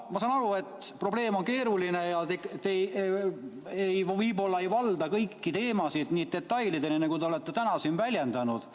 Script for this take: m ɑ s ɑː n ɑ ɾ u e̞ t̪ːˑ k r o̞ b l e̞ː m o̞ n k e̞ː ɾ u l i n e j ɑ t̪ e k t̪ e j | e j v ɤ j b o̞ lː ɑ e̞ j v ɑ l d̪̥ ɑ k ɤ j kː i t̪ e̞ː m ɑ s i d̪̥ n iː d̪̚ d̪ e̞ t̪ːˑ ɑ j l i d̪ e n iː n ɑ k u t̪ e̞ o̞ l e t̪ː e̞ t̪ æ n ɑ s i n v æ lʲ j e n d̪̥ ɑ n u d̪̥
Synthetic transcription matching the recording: m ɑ s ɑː n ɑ ɾ u e̞ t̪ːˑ p r o̞ b l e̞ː m o̞ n k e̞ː ɾ u l i n e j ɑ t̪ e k t̪ e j | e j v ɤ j b o̞ lː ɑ e̞ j v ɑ l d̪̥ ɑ k ɤ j kː i t̪ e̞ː m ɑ s i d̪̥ n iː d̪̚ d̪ e̞ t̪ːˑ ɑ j l i d̪ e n i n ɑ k u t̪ e̞ o̞ l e t̪ː e̞ t̪ æ n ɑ s i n v æ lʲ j e n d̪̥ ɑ n u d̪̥